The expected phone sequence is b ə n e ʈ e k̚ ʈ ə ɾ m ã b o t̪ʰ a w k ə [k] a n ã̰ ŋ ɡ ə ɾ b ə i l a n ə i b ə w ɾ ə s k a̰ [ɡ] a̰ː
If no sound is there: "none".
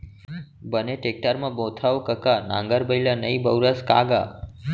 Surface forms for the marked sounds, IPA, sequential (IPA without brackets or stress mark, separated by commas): k, ɡ